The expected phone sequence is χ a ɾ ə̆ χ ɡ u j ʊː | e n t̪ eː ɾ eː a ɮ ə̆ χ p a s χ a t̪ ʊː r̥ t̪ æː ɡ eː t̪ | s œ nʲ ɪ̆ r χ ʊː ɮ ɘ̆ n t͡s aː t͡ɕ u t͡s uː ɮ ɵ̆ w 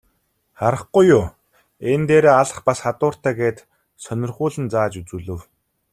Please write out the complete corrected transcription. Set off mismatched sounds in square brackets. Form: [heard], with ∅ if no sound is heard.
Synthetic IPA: χ a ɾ ə̆ χ ɡ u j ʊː | e n t̪ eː ɾ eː a ɮ ə̆ χ p a s χ a t̪ ʊː r̥ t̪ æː ɡ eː t̪ | s œ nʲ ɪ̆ r χ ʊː ɮ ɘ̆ n t͡s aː t͡ɕ u t͡s uː ɮ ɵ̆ w